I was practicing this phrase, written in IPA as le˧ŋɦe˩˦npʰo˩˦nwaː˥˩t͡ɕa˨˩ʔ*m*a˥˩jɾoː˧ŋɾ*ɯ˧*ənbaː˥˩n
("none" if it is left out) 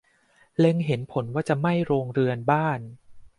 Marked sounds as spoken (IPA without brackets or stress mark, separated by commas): m, ɯ˧